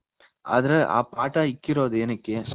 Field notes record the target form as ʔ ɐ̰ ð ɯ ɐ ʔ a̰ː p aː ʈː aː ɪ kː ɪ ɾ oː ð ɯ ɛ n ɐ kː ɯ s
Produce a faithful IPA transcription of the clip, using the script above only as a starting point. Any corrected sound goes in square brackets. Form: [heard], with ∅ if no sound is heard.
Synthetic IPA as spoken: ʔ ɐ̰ ð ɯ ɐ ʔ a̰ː p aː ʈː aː ɪ kː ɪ ɾ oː ð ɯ ɛ n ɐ kː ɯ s

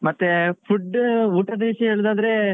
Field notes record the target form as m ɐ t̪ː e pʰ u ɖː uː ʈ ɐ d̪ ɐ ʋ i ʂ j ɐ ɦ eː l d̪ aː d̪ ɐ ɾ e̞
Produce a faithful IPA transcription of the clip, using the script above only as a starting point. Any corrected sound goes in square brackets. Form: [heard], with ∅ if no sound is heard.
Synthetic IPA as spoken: m ɐ t̪ː e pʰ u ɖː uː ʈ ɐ d̪ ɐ ʋ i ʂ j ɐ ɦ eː [ɭ] d̪ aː d̪ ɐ ɾ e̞

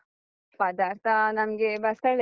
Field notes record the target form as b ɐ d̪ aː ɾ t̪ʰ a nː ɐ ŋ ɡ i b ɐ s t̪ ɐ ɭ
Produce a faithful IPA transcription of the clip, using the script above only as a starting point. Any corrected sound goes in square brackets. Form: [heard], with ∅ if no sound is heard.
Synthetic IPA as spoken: [p] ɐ d̪ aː ɾ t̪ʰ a [n] ɐ [m] ɡ [e] b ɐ s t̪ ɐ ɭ

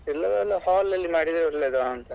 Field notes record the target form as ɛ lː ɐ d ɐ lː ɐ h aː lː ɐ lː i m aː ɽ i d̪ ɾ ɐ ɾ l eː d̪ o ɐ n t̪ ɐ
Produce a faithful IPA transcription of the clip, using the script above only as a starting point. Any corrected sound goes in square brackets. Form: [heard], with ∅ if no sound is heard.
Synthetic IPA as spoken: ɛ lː ɐ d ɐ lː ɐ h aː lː ɐ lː i m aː ɽ i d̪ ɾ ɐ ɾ l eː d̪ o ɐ n t̪ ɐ

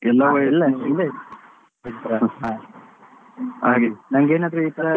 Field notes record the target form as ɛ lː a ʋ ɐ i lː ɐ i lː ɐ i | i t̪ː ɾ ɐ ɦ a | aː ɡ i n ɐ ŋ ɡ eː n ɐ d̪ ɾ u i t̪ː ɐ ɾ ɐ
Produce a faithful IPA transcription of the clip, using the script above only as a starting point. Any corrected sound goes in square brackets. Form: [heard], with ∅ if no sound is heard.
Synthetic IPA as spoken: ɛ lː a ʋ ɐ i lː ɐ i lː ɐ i | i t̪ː ɾ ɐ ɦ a | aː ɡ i n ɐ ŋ ɡ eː n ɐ d̪ ɾ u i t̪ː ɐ ɾ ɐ

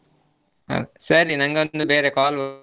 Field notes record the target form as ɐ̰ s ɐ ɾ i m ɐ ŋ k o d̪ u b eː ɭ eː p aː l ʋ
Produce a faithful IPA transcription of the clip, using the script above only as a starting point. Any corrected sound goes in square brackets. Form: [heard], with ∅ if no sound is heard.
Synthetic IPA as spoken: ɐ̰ s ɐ ɾ i [n] ɐ ŋ [ɡ] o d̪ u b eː [ɾ] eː [k] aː l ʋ

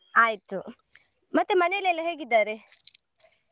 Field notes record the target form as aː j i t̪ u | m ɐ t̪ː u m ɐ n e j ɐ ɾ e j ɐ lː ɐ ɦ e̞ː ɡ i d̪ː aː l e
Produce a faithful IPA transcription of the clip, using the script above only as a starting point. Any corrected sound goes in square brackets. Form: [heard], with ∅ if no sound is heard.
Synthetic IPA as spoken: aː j i t̪ u | m ɐ t̪ː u m ɐ n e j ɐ [l] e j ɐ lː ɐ ɦ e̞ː ɡ i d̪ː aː [ɾ] e

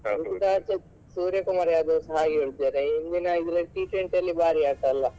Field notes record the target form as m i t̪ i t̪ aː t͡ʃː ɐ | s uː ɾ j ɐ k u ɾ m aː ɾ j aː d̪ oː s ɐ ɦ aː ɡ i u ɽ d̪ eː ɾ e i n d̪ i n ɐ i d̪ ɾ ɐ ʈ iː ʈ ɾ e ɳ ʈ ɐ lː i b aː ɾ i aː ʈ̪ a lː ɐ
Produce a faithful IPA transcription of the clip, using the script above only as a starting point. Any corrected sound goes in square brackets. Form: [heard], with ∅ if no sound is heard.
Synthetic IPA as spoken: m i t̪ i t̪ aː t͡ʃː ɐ | s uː ɾ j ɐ k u [∅] m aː ɾ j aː d̪ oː s ɐ ɦ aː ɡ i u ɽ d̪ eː ɾ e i n d̪ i n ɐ i d̪ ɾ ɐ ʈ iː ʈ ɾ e ɳ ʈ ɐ lː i b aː ɾ i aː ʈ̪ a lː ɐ

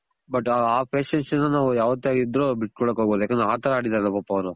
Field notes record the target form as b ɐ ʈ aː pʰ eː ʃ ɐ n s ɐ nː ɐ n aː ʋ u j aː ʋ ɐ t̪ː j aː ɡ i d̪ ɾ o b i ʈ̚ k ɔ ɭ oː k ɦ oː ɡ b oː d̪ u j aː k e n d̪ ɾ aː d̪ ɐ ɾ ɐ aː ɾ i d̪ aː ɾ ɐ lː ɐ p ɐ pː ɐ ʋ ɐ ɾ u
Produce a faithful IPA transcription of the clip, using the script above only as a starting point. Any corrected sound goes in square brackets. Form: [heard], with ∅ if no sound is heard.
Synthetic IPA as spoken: b ɐ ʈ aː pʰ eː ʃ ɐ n s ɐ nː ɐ n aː ʋ u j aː ʋ ɐ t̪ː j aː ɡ i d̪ ɾ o b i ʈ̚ k ɔ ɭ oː k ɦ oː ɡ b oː d̪ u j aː k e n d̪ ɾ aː [t̪] ɐ ɾ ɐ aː [ɽ] i d̪ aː ɾ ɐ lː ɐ p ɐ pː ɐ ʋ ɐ ɾ u

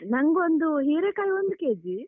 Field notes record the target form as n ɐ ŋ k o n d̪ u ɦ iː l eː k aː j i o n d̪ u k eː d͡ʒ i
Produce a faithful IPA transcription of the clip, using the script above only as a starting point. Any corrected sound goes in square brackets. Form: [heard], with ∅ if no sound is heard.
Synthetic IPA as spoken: n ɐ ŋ [ɡ] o n d̪ u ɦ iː [ɾ] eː k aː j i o n d̪ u k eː d͡ʒ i

